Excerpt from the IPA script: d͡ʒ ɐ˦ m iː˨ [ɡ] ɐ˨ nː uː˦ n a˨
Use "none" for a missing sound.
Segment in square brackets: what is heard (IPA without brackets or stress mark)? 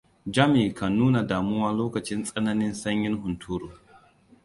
k